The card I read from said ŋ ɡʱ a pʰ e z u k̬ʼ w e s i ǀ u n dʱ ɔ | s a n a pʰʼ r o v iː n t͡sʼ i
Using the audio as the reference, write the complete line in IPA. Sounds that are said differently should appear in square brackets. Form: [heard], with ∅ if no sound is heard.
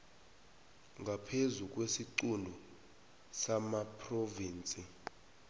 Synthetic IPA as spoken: ŋ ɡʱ a pʰ e z u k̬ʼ w e s i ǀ u n dʱ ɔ | s a [m] a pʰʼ r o v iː n t͡sʼ i